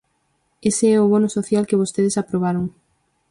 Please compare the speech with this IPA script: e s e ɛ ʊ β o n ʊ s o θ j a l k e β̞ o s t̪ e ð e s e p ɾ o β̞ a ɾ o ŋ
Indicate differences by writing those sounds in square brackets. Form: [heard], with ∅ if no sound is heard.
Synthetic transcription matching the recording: e s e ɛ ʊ β o n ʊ s o θ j a l k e β̞ o s t̪ e ð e s [a] p ɾ o β̞ a ɾ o ŋ